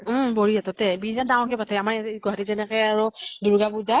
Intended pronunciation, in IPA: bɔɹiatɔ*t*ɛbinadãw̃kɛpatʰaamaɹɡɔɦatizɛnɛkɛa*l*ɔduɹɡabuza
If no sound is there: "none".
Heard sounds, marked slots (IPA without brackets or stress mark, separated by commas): t, ɹ